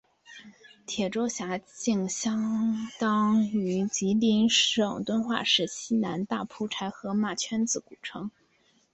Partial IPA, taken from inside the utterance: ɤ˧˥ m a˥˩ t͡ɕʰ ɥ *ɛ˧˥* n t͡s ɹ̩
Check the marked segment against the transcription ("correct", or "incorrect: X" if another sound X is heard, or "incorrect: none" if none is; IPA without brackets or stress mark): incorrect: ɛ˥